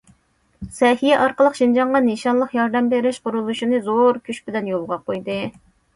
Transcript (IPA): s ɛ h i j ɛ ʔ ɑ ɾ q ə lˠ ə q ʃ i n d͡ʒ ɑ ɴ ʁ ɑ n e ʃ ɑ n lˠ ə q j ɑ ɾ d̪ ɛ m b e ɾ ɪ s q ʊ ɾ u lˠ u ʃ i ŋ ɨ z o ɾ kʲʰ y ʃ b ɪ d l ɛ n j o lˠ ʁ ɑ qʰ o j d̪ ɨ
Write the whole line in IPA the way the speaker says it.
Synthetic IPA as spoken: s ɛ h i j ɛ ʔ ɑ ɾ q ə lˠ ə q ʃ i n d͡ʒ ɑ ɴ ʁ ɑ n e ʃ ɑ n lˠ ə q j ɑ ɾ d̪ ɛ m b e ɾ ɪ ʃ q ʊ ɾ u lˠ u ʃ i n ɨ z o ɾ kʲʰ y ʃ b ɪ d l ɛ n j o lˠ ʁ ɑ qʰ o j d̪ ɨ